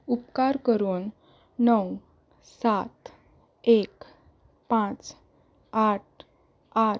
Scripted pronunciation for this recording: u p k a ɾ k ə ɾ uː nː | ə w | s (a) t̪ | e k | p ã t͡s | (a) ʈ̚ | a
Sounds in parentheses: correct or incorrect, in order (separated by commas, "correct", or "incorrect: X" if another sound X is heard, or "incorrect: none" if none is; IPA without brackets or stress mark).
correct, correct